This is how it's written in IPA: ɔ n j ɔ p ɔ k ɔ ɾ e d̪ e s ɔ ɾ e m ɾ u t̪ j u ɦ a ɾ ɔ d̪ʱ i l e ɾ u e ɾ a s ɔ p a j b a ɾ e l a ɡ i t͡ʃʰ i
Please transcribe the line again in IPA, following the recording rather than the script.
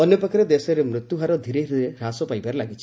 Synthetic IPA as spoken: ɔ n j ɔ p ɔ k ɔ ɾ e d̪ e s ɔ ɾ e m ɾ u t̪ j u ɦ a ɾ ɔ d̪ʱ i ɾ e ɾ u e ɾ a s ɔ p a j b a ɾ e l a ɡ i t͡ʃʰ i